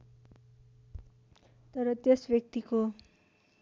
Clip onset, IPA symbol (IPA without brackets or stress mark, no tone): t̪